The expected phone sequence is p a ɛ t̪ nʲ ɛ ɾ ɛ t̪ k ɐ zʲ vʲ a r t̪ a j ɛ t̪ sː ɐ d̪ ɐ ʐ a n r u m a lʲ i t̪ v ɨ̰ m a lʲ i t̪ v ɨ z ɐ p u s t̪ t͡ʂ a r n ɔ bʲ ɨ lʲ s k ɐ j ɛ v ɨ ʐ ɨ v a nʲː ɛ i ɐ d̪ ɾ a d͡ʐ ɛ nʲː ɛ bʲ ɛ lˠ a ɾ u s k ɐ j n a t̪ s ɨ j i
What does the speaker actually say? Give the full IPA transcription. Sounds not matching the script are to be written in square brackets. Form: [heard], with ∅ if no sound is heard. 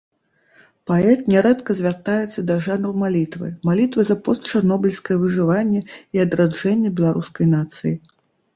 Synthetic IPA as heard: p a ɛ t̪ nʲ ɛ ɾ ɛ t̪ k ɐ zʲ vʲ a r t̪ a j ɛ t̪ sː ɐ d̪ ɐ ʐ a n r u m a lʲ i t̪ v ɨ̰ m a lʲ i t̪ v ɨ z ɐ p [ɔ] s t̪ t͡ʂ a r n ɔ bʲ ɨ lʲ s k ɐ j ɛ v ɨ ʐ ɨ v a nʲː ɛ i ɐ d̪ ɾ a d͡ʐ ɛ nʲː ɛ bʲ ɛ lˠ a ɾ u s k ɐ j n a t̪ s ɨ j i